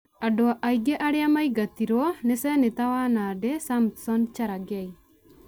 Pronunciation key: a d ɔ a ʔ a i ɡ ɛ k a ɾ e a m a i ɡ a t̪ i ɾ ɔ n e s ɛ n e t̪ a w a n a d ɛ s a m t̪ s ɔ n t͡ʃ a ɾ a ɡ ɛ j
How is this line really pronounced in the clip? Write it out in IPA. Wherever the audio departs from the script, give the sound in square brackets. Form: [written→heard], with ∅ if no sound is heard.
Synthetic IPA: a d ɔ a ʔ a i ɡ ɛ [k→ʔ] a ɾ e a m a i ɡ a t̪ i ɾ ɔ n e s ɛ n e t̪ a w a n a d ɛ s a m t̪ s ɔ n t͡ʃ a ɾ a ɡ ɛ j